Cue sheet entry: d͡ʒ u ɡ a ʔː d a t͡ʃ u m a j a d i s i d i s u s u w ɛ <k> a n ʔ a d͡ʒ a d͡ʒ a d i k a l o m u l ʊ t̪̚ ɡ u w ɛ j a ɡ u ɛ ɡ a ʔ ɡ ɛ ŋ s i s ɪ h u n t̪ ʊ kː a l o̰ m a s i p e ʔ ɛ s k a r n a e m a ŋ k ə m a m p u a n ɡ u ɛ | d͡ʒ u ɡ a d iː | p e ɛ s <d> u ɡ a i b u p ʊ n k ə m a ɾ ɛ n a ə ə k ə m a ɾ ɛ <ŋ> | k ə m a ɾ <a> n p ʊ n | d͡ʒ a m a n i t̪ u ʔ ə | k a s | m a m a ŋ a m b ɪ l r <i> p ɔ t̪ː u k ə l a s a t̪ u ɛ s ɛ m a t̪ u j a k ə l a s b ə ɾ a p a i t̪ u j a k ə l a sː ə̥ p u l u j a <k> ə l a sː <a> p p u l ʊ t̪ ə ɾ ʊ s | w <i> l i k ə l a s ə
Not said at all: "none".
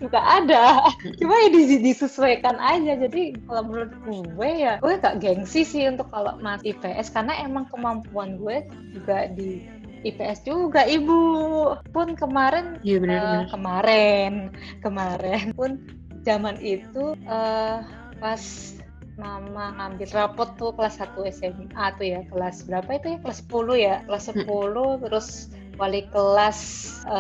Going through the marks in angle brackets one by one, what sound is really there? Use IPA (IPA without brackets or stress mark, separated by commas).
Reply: k, d͡ʒ, n, ɛ, a, k, ə, a